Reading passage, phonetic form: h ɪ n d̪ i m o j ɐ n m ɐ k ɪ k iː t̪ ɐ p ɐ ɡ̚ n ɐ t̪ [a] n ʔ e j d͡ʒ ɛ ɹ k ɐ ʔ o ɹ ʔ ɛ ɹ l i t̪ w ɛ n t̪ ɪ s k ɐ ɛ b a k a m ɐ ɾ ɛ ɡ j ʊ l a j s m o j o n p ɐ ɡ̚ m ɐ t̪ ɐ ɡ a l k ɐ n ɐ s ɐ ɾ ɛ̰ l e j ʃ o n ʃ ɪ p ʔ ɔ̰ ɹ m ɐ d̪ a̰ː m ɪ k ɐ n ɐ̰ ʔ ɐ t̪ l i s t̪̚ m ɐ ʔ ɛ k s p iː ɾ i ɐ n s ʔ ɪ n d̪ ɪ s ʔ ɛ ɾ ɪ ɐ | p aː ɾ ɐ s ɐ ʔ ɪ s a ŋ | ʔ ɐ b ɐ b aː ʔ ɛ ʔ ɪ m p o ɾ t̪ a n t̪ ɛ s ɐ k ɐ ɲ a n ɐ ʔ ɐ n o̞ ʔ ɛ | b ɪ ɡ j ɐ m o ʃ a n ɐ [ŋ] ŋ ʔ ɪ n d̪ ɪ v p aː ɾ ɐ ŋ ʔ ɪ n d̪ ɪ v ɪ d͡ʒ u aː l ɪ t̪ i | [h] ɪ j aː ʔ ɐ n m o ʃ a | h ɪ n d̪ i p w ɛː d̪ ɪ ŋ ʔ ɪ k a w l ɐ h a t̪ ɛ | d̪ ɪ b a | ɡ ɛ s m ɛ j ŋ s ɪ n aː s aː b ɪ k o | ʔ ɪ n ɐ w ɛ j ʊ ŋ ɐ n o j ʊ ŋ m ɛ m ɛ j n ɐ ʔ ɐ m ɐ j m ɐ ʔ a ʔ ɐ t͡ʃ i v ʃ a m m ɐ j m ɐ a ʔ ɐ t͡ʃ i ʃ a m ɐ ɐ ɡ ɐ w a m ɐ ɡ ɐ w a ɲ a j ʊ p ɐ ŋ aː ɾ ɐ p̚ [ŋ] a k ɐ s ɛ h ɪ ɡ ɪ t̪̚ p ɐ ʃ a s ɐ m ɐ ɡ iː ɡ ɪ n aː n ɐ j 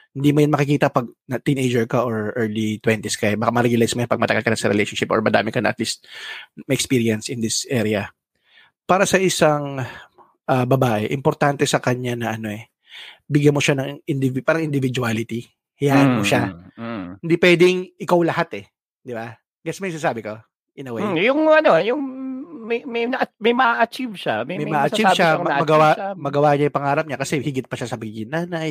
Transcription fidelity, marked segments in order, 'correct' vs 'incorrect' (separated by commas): incorrect, correct, correct, incorrect